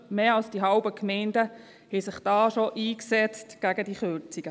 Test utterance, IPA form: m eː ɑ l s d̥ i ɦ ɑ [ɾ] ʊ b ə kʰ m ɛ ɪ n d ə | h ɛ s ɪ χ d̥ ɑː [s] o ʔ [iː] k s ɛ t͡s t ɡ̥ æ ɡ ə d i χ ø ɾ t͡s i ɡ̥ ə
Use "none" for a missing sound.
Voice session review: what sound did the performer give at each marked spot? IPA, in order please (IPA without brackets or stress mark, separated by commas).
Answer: none, ʃ, iː